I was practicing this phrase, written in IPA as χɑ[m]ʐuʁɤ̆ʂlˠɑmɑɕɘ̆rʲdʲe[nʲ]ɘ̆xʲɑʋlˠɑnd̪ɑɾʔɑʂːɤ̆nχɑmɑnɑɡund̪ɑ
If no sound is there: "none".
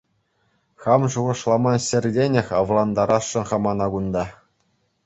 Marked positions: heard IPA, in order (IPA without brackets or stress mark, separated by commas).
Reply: m, nʲ